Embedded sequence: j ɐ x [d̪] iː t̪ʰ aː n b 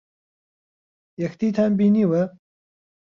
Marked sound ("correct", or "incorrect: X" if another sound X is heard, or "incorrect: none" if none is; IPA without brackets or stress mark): incorrect: t̪